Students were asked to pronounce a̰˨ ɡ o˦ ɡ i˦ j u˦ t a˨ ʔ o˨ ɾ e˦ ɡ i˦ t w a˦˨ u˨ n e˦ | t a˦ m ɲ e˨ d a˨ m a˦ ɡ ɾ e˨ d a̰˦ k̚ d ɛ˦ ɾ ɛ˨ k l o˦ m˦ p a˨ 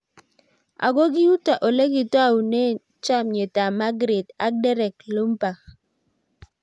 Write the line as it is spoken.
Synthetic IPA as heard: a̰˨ ɡ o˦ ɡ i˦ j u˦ t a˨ ʔ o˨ l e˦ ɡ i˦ t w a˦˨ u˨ n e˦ | t͡ʃ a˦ m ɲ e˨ t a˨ m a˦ ɡ ɾ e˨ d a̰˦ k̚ d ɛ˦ ɾ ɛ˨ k l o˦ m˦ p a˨

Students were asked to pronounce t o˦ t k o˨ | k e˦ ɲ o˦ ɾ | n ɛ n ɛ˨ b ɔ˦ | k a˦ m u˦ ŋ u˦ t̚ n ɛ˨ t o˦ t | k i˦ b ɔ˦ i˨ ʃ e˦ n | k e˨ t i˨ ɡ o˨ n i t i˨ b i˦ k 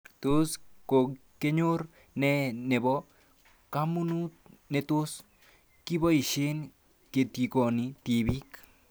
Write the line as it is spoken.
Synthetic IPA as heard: t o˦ s k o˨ | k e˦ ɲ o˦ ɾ | n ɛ n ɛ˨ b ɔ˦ | k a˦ m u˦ n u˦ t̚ n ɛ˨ t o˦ s | k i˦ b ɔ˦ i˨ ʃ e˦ n | k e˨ t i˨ k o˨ n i t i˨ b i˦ k

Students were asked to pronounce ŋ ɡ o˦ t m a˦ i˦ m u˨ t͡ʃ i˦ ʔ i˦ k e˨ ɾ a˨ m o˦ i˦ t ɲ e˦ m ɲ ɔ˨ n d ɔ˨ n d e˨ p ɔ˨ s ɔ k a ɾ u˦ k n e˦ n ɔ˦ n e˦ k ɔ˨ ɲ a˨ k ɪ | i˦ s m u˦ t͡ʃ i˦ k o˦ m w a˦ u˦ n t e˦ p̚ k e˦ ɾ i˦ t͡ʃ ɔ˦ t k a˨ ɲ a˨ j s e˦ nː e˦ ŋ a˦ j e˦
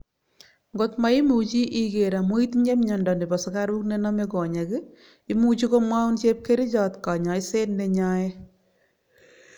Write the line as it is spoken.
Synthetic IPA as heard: ŋ ɡ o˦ t m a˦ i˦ m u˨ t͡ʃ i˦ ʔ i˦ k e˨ ɾ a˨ m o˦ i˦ t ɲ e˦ m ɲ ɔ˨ n d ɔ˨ n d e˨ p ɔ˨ s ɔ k a ɾ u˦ k n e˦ n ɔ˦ m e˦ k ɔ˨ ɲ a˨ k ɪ | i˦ m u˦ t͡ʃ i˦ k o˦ m w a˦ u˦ n t͡ʃ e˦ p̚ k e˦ ɾ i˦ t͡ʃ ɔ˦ t k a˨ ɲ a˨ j s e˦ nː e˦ ɲ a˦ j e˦

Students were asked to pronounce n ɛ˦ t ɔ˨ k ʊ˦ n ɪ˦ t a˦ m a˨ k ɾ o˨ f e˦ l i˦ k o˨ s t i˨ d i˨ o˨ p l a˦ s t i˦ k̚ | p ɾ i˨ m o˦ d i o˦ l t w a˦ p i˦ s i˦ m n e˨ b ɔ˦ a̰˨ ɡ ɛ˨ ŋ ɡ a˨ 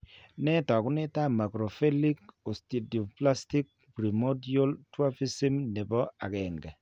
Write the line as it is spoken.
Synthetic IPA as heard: n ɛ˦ t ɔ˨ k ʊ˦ n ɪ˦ t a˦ m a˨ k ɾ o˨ f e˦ l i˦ k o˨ s t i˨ d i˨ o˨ p l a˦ s t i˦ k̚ | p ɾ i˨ m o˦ d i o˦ l t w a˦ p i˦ s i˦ m n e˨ b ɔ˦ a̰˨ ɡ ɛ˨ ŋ ɡ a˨

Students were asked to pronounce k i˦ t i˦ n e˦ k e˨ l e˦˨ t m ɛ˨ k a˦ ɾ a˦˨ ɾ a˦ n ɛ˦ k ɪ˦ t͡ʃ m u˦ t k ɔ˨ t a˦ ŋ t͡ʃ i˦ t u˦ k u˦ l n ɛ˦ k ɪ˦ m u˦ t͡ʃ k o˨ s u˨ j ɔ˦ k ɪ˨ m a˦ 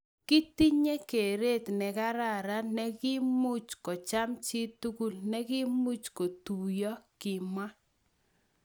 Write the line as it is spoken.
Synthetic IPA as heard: k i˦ t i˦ ɲ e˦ k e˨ ɾ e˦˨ t n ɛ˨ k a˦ ɾ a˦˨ ɾ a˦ n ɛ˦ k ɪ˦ m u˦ t͡ʃ k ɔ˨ t͡ʃ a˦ m t͡ʃ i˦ t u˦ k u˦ l n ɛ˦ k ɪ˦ m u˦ t͡ʃ k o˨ t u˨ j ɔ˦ k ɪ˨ m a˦

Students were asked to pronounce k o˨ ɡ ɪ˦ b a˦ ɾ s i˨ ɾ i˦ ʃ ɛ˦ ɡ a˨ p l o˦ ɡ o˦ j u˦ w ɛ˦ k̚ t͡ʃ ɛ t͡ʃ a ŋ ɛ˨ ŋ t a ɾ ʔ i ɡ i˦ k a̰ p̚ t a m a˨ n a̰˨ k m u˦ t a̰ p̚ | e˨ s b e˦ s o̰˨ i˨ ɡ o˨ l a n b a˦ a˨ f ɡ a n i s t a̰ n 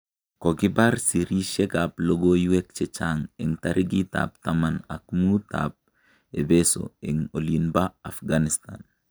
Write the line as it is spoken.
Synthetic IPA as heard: k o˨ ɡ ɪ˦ b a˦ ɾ s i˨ ɾ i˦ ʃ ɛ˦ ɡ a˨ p l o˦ ɡ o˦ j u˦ w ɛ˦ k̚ t͡ʃ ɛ t͡ʃ a ŋ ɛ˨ ŋ t a ɾ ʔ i ɡ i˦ t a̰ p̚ t a m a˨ n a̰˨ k m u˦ t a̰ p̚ | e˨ b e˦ s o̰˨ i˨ ŋ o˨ l i n b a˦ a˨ f ɡ a n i s t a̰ n

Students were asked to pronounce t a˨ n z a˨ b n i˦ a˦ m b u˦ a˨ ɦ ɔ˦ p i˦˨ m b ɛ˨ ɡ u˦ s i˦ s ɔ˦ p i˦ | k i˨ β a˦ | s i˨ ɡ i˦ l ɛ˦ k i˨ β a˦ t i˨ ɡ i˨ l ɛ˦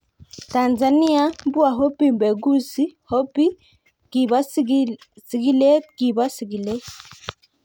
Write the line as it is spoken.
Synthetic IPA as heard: t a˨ n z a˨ n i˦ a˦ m b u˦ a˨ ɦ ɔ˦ p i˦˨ m b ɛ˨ ɡ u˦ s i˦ h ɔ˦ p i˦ | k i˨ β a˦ | s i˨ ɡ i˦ l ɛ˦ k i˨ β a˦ s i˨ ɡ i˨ l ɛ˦

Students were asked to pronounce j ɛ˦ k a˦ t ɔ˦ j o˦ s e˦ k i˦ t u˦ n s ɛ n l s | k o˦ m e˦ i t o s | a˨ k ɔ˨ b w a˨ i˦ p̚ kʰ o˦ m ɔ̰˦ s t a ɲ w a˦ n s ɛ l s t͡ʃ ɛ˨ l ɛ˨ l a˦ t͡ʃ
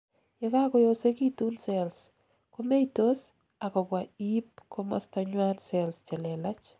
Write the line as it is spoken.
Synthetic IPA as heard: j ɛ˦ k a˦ k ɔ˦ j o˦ s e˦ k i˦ t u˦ n s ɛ l s | k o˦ m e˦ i t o s | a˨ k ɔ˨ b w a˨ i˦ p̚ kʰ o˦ m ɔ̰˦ s t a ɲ w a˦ n s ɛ l s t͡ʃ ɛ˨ l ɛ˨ l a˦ t͡ʃ

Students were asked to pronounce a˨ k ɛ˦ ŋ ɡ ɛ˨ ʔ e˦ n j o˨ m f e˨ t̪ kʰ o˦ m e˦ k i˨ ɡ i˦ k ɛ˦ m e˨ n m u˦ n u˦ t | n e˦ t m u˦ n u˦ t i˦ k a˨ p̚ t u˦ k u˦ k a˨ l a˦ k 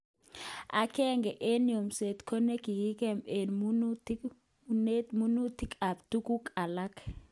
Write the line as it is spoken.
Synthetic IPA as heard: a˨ k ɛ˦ ŋ ɡ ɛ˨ ʔ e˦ n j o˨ m s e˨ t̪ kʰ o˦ n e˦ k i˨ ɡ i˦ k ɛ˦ m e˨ n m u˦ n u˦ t | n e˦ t m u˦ n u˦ t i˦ k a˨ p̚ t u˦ k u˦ k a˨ l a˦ k

